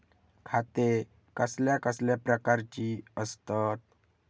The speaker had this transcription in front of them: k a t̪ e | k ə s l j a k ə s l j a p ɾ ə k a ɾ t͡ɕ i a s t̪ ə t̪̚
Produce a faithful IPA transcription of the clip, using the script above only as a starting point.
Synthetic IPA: kʰ a t̪ e | k ə s l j a k ə s l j a p ɾ ə k a ɾ t͡ɕ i ə s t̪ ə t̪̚